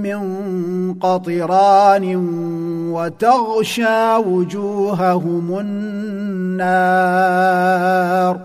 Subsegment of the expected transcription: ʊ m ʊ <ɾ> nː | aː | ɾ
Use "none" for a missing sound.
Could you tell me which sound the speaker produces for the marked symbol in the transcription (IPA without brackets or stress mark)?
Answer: none